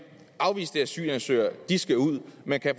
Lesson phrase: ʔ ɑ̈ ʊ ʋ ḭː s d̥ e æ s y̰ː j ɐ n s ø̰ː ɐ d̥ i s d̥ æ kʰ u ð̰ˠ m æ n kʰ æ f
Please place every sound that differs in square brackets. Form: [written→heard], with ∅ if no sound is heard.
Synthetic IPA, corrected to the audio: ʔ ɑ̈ ʊ ʋ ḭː s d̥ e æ s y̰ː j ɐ n s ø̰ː ɐ d̥ i s [d̥→ɡ̥] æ [kʰ→∅] u ð̰ˠ m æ n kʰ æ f